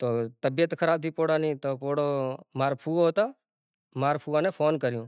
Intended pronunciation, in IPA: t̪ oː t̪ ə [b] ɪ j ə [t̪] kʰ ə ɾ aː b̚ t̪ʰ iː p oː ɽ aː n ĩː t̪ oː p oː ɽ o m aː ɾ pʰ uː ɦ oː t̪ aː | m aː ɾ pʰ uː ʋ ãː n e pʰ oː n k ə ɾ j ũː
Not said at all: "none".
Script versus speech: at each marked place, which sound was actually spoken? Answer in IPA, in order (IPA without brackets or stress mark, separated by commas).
b, t̪